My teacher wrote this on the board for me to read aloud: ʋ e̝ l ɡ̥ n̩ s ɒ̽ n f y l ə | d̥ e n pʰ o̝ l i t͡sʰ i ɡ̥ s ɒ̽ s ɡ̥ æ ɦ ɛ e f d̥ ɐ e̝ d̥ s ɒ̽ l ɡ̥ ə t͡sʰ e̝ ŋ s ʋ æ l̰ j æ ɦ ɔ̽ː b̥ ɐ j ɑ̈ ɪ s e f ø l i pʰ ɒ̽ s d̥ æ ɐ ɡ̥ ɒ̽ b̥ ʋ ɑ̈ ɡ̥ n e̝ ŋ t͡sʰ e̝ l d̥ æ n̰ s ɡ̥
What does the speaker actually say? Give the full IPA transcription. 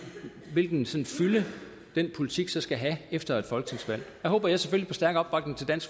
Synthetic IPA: ʋ e̝ l ɡ̥ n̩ s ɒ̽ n f y l ə | d̥ e n pʰ o̝ l i t͡sʰ i ɡ̥ s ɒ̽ s ɡ̥ æ ɦ æ e f d̥ ɐ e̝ d̥ f ɒ̽ l ɡ̥ ə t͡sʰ e̝ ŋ s ʋ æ l̰ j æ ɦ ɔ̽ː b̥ ɐ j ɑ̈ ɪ s e f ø l i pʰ ɒ̽ s d̥ æ ɐ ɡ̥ ɒ̽ b̥ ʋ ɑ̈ ɡ̥ n e̝ ŋ t͡sʰ e̝ l d̥ æ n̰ s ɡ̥